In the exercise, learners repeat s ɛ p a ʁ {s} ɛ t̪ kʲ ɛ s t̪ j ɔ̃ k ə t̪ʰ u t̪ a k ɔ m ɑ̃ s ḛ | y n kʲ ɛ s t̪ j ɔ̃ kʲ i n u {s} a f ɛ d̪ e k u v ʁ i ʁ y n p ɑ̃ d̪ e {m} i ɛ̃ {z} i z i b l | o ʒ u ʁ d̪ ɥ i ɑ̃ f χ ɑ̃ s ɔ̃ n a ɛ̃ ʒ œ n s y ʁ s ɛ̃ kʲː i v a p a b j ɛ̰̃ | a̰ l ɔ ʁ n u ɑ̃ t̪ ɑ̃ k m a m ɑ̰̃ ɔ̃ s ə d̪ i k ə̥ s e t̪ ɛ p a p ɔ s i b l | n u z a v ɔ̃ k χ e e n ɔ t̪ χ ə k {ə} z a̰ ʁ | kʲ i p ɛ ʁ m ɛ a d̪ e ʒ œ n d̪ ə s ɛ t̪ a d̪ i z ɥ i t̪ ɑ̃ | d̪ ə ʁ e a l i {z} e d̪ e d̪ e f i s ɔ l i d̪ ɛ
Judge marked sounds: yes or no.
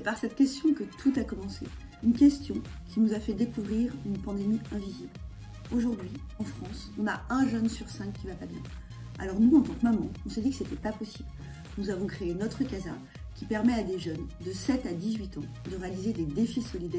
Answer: yes, no, yes, no, no, yes

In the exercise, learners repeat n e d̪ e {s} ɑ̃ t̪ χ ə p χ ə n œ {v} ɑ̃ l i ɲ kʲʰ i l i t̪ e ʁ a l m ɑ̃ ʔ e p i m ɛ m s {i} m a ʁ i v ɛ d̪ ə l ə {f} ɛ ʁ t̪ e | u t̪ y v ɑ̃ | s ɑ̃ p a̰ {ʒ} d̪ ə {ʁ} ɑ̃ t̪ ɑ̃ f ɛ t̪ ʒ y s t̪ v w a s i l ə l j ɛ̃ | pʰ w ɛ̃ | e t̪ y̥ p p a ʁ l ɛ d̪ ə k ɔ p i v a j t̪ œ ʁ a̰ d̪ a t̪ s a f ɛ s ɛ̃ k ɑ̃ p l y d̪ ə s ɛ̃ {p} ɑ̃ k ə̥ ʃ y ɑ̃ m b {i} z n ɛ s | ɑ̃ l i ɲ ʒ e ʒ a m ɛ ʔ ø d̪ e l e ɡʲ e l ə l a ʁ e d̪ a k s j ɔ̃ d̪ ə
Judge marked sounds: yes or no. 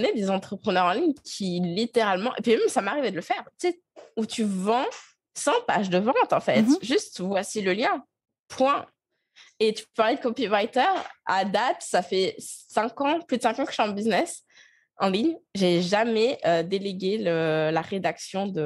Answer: no, no, no, yes, yes, no, no, yes

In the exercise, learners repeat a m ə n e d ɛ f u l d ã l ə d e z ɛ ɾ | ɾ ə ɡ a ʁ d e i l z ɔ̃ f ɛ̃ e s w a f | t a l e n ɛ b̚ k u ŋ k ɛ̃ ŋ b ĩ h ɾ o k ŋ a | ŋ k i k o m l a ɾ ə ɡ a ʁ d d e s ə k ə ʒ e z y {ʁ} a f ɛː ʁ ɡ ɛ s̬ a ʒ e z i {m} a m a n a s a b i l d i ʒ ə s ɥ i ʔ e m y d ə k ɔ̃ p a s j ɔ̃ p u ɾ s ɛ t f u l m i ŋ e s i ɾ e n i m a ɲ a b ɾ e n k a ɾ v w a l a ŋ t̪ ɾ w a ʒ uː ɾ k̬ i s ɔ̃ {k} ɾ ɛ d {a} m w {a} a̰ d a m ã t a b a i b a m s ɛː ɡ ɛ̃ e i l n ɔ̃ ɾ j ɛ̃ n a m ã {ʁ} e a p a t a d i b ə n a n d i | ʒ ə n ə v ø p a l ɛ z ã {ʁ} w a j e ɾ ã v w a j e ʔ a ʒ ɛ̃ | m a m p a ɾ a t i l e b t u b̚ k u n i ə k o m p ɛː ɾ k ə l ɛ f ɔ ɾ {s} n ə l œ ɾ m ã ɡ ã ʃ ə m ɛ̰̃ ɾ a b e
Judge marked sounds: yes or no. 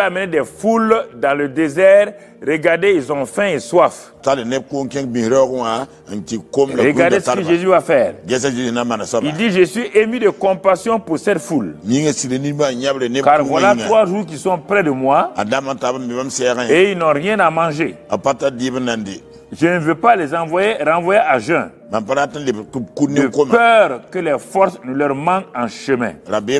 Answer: no, no, no, no, yes, no, no, yes

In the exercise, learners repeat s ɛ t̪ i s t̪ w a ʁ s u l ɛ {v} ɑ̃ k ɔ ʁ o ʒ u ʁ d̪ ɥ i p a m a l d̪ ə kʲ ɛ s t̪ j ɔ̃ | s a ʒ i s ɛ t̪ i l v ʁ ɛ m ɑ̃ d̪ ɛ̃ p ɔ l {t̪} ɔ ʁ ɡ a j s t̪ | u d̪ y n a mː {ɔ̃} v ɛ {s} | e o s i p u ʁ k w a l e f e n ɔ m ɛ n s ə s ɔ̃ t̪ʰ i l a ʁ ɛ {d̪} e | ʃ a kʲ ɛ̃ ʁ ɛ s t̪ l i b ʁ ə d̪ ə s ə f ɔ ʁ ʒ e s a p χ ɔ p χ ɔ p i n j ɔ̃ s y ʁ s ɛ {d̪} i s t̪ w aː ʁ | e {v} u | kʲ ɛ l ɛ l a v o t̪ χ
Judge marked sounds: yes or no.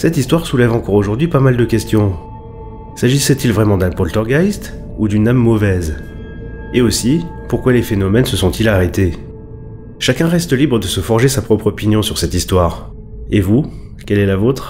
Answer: yes, yes, no, no, no, no, yes

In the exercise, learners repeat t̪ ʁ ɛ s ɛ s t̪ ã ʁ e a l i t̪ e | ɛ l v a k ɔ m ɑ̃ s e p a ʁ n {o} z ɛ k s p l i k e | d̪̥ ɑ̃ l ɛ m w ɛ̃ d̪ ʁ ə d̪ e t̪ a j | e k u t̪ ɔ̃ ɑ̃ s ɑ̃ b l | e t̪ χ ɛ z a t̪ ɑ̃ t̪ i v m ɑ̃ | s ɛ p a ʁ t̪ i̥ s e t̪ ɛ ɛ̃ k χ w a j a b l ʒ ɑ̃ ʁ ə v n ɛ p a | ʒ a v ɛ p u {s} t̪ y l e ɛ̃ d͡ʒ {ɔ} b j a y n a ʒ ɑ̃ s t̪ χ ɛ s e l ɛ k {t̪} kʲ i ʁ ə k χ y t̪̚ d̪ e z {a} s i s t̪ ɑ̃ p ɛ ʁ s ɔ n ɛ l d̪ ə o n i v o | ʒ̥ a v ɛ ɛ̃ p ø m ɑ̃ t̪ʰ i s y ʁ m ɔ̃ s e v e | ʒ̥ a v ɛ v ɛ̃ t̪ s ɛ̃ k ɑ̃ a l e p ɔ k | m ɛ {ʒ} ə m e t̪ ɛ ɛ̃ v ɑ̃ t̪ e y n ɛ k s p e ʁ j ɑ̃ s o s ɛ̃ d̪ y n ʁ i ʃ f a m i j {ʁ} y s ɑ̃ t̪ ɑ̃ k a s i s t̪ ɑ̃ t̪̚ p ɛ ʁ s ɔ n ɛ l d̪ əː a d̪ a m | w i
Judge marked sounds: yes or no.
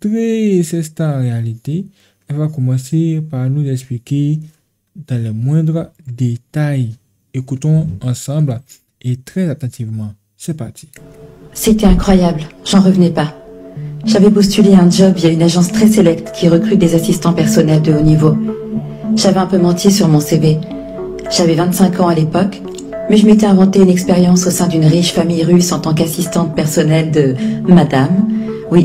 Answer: no, yes, yes, yes, yes, yes, yes

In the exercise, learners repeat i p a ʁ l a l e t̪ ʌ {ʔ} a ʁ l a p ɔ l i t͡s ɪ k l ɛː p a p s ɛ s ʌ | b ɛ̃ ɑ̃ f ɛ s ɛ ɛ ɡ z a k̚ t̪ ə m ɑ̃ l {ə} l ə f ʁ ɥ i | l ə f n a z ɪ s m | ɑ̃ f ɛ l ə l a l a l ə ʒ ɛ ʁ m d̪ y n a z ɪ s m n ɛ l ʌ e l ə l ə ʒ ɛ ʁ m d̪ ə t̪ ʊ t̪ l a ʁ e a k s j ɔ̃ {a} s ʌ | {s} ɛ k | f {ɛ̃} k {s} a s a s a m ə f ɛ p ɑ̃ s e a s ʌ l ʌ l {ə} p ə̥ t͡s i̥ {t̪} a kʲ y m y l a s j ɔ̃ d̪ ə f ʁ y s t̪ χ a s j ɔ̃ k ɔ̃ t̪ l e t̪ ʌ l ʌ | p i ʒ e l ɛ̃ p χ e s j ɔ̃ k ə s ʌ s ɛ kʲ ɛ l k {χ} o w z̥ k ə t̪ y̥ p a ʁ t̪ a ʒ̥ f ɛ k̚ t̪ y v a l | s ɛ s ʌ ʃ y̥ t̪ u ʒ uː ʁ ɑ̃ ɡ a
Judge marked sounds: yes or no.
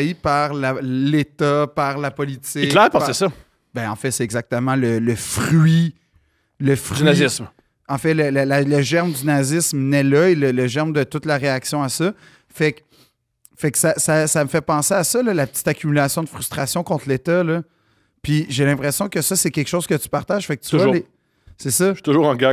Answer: no, yes, yes, no, no, yes, no, yes, no

